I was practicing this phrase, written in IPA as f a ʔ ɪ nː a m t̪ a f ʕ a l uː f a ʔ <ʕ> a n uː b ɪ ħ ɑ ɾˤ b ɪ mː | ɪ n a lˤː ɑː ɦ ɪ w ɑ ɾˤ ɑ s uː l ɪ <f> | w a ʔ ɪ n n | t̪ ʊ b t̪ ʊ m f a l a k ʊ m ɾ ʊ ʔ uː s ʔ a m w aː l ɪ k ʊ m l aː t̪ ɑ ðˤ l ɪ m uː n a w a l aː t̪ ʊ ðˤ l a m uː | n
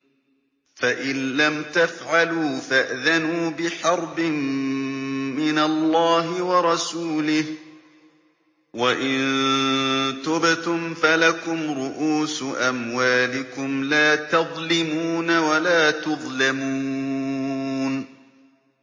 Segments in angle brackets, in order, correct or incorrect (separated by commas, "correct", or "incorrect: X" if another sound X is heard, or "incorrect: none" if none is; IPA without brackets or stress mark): incorrect: ð, incorrect: h